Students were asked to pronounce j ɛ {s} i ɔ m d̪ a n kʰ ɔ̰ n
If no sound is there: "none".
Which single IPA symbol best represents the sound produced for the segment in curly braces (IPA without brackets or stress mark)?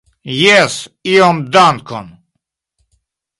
s